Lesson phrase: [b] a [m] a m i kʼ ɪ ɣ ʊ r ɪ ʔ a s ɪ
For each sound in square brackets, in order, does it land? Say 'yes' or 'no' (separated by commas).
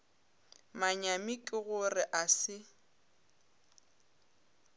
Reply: no, no